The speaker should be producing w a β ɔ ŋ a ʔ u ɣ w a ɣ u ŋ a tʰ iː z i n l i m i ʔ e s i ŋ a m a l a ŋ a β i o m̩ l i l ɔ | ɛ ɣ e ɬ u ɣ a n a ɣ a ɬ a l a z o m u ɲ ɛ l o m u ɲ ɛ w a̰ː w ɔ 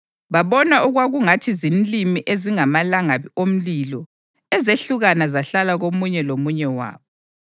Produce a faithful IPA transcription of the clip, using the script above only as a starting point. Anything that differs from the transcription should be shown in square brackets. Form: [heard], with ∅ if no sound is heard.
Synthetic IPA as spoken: [β] a β ɔ [n] a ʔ u ɣ w a ɣ u ŋ a tʰ [i] z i n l i m i ʔ e [z] i ŋ a m a l a ŋ a β i o m̩ l i l ɔ | ɛ [z] e ɬ u ɣ a n a [z] a ɬ a l a [ɣ] o m u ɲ ɛ l o m u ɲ ɛ w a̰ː [β] ɔ